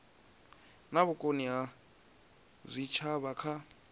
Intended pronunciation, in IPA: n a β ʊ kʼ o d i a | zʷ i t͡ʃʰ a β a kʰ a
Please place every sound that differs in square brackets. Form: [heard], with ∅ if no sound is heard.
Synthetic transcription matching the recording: n a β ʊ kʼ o [n] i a | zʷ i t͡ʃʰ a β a kʰ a